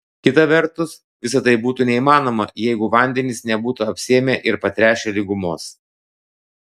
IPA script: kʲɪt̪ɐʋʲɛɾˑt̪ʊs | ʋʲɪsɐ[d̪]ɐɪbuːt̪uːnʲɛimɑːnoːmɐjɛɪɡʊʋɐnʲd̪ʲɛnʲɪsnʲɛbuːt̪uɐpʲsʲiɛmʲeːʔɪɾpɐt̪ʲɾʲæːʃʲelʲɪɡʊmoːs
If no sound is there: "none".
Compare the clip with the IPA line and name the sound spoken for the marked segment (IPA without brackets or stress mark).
t̪